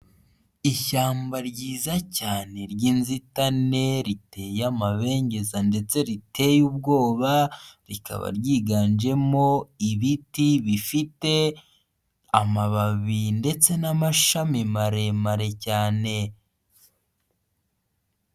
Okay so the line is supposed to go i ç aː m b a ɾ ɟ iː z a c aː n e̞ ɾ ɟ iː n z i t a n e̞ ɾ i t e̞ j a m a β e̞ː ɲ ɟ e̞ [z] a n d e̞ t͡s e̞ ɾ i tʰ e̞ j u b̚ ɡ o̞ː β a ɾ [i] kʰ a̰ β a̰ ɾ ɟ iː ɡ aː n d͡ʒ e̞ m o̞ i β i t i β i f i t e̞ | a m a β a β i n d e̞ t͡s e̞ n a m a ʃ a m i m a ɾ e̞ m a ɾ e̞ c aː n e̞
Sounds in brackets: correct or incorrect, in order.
correct, correct

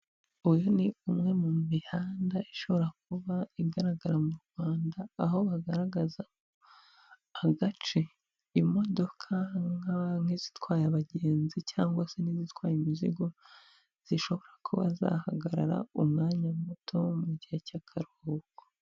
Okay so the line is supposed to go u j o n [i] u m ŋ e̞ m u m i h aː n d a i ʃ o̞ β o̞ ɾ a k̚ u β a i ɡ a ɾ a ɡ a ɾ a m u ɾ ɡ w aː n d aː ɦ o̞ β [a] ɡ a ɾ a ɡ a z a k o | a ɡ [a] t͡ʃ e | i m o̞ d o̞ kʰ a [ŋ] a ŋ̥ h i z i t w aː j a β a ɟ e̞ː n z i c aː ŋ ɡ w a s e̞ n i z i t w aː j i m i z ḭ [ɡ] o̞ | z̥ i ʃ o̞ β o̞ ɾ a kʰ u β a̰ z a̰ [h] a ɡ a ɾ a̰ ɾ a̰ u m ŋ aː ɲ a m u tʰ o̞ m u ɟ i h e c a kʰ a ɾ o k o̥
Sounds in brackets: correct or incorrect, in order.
correct, correct, correct, correct, correct, correct

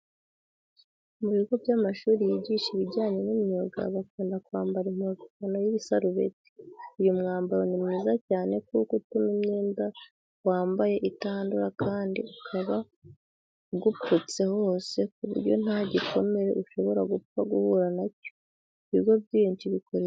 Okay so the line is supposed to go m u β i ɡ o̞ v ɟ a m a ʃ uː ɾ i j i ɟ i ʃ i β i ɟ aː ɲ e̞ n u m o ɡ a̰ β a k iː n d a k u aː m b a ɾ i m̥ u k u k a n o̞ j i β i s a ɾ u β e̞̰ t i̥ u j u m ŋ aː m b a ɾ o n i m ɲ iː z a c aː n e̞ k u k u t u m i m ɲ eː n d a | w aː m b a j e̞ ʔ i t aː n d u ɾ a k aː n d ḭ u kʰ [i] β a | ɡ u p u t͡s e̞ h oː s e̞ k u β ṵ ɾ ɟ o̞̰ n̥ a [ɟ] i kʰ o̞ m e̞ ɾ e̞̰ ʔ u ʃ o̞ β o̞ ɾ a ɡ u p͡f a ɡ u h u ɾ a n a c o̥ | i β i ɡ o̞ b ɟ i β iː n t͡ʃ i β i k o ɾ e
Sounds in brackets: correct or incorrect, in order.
incorrect: a, correct

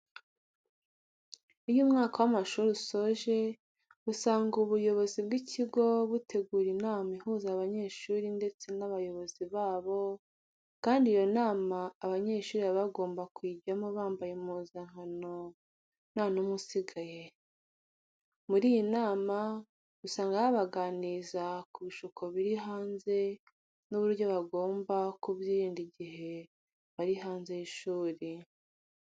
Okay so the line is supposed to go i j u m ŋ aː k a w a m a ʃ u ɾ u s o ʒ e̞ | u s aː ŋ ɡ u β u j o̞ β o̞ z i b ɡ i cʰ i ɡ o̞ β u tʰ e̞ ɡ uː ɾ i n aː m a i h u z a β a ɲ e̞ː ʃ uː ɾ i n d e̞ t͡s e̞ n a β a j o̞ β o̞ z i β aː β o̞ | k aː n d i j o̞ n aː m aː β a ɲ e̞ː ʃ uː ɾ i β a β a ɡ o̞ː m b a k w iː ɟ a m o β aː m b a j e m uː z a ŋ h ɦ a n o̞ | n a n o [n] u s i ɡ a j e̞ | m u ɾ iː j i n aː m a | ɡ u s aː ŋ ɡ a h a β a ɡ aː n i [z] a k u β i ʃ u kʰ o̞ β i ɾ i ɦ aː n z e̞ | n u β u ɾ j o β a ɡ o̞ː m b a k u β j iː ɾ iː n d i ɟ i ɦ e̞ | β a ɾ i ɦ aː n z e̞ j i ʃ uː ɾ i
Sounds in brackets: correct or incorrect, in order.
incorrect: m, correct

